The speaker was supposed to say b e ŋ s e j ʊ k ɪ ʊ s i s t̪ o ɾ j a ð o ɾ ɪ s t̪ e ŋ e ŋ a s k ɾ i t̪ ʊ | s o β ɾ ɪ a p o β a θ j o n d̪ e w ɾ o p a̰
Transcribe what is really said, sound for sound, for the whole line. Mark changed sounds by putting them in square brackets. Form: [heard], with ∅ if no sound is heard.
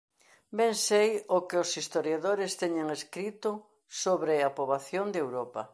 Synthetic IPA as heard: b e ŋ s e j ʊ k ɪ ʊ s i s t̪ o ɾ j a ð o ɾ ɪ s t̪ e [ɲ] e ŋ [e] s k ɾ i t̪ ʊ | s o β ɾ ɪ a p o β a θ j o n d̪ e w ɾ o p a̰